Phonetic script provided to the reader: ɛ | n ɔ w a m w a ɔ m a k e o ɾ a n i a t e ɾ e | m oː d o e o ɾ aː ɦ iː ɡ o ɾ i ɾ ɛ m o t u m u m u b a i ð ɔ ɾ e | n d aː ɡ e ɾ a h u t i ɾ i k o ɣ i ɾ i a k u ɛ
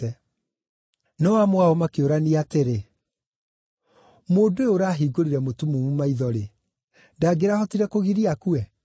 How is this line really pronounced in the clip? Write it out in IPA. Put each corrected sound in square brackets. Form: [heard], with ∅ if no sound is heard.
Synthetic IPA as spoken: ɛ | n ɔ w a m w a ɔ m a k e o ɾ a n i a t e ɾ e | m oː d o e o ɾ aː ɦ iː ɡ o ɾ i ɾ ɛ m o t u m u m u [m] a i ð ɔ ɾ e | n d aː ɡ e ɾ a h [ɔ] t i ɾ [ɛ] k o ɣ i ɾ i a k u ɛ